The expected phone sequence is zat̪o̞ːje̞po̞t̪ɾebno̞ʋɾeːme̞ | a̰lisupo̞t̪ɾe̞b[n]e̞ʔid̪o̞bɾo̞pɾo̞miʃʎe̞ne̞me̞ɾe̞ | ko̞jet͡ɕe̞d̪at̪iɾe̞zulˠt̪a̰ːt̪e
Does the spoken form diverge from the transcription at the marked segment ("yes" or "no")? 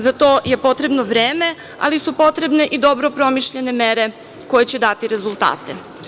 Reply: no